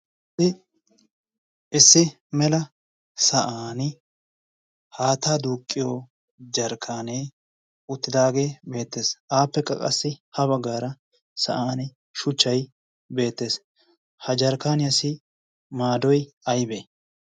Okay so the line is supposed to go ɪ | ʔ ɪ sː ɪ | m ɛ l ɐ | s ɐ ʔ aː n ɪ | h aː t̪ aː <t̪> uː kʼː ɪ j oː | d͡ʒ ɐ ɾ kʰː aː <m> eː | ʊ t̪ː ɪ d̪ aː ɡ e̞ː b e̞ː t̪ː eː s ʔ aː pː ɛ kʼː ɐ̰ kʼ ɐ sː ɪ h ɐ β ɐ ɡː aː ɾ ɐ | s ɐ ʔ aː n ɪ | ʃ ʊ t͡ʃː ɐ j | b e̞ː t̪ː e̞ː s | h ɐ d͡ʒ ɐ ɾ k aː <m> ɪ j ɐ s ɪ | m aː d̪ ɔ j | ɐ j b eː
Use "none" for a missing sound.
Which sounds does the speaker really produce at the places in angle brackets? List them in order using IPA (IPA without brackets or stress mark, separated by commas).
d̪, n, n